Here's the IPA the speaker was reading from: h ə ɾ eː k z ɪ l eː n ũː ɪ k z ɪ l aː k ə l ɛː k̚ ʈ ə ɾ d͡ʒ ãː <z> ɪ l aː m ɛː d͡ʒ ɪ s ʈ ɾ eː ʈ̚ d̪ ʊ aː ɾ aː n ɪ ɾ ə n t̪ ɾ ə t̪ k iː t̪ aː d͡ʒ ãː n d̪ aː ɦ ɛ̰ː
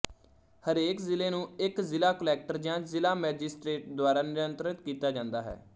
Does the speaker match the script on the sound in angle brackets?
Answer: yes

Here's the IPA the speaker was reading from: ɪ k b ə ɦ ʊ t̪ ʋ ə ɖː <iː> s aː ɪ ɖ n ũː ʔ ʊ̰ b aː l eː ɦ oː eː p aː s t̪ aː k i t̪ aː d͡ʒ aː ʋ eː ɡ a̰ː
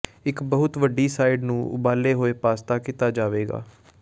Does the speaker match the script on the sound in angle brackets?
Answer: yes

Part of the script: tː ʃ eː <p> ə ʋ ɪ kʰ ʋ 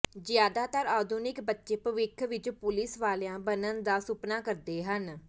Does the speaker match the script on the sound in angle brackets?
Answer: yes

